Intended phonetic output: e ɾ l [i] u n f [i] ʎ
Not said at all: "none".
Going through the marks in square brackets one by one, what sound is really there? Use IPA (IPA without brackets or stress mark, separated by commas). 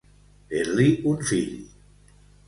i, i